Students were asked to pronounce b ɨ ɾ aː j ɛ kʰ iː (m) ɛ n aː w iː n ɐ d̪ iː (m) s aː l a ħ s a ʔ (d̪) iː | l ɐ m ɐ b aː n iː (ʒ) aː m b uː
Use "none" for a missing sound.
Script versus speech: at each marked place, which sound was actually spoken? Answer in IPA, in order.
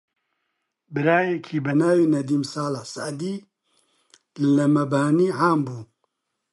b, m, d̪, ʕ

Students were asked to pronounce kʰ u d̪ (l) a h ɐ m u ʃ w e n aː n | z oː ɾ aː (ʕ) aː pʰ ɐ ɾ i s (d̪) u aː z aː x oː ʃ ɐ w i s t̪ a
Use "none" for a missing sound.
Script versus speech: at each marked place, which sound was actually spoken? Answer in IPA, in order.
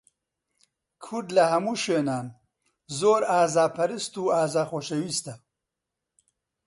l, z, t̪

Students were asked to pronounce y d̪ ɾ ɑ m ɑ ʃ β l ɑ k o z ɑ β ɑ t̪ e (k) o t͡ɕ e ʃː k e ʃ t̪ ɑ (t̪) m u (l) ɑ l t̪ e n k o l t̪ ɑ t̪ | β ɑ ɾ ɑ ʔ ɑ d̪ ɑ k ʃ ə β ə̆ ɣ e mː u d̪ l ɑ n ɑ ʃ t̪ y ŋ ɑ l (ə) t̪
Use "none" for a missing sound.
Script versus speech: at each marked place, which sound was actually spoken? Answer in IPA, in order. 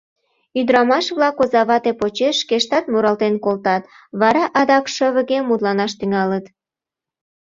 p, t̪, ɾ, ə

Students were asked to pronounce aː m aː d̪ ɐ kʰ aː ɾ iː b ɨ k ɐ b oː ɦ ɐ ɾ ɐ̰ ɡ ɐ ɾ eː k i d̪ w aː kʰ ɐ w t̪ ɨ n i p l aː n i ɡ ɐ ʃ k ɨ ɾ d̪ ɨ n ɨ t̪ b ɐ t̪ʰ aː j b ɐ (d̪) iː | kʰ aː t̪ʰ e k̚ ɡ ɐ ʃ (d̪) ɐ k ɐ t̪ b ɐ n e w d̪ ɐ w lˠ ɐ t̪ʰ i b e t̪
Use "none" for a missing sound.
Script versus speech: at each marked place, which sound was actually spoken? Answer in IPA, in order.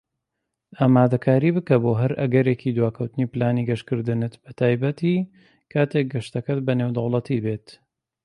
t̪, t̪

